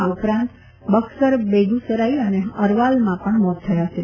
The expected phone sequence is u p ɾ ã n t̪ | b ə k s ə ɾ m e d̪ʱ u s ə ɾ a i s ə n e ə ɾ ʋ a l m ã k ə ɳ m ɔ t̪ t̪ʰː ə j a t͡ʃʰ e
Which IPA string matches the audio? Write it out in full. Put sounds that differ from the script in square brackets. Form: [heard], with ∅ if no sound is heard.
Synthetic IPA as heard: u p ɾ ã n t̪ | b ə k s ə ɾ [b] e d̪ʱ u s ə ɾ a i [∅] ə n e ə ɾ ʋ a l m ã [p] ə ɳ m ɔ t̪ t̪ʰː ə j a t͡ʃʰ e